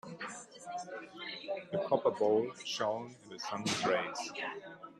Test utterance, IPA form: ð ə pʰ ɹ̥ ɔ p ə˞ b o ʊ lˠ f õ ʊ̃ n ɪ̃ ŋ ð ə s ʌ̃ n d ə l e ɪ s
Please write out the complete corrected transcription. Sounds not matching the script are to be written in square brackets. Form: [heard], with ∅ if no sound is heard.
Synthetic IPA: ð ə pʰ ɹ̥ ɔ p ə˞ b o ʊ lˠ [ʃ] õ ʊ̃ n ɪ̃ [n] ð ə s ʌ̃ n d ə [ɹ] e ɪ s